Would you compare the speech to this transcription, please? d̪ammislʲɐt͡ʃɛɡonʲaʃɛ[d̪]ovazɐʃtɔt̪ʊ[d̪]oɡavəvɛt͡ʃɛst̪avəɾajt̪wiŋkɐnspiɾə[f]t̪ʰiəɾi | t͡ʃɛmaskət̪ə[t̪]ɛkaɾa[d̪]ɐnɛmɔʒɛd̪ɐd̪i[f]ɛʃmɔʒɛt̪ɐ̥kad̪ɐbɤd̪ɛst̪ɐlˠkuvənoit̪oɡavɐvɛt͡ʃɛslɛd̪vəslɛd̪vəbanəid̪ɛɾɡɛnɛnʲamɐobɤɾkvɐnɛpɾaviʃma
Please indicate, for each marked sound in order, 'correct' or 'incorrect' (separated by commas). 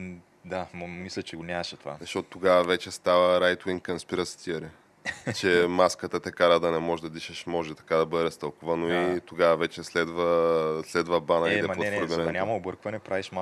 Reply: incorrect, incorrect, incorrect, correct, correct, incorrect